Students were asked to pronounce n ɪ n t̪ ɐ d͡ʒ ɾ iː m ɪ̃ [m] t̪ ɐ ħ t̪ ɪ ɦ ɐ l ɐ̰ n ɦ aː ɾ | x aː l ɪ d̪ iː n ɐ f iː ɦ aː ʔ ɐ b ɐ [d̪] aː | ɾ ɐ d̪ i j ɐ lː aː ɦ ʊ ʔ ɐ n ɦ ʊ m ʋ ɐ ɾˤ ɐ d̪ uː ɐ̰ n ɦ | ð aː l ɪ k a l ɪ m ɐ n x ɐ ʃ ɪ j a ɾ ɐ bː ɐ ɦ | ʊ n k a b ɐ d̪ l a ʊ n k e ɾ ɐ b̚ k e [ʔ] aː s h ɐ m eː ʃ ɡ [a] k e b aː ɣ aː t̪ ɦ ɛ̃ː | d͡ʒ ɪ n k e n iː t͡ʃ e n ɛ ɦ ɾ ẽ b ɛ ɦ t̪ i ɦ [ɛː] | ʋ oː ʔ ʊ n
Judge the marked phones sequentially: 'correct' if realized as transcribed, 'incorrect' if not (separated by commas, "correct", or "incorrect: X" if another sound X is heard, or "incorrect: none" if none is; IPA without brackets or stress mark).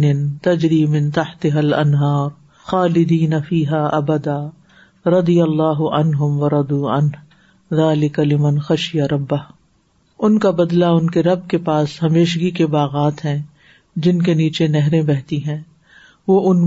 incorrect: n, correct, incorrect: p, incorrect: i, incorrect: ɛ̃ː